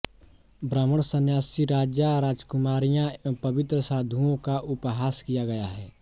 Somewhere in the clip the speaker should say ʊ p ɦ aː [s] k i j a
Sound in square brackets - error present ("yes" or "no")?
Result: no